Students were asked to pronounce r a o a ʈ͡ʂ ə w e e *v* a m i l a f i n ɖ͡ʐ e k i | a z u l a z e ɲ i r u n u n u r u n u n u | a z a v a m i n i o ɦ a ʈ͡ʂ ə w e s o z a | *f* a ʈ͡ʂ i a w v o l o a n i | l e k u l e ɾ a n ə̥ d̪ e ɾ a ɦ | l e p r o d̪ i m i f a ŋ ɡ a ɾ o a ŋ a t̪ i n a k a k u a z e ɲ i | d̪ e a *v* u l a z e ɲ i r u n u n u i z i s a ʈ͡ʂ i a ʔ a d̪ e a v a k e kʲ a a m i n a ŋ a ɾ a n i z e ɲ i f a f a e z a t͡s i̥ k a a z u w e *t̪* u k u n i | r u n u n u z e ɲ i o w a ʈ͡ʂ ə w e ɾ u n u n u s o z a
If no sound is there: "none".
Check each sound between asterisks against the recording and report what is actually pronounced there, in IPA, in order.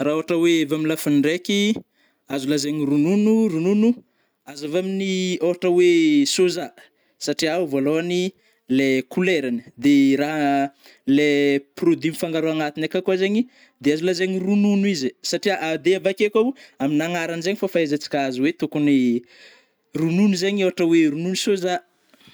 v, s, z, t̪

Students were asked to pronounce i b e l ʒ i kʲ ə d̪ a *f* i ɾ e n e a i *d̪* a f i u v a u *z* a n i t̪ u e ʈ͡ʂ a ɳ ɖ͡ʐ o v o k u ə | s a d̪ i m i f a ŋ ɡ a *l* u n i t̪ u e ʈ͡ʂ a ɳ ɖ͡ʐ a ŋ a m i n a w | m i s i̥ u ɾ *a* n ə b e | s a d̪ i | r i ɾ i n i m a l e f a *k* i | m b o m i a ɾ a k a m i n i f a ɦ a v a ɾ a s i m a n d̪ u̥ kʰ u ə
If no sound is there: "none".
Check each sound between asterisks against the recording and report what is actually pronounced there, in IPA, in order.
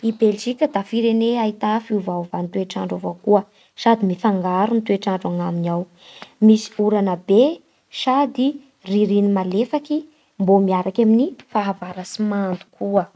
f, t̪, v, ɾ, a, k

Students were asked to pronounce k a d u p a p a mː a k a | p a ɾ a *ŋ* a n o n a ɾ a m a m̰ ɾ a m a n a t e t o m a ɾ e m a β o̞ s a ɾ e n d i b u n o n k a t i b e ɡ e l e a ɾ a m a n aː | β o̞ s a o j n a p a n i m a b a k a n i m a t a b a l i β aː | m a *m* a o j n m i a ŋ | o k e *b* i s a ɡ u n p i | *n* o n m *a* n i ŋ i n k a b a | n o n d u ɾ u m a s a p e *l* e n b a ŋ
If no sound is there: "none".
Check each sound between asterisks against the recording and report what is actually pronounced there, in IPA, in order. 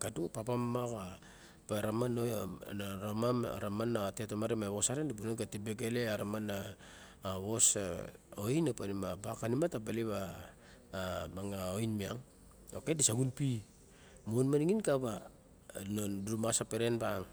m, ŋ, d, m, a, ɾ

